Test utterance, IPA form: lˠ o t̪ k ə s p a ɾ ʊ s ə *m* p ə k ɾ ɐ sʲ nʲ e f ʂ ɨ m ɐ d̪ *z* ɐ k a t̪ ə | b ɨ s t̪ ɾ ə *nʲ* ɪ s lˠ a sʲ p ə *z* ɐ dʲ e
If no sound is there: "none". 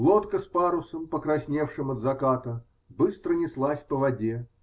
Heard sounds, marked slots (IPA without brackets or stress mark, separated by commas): m, z, nʲ, v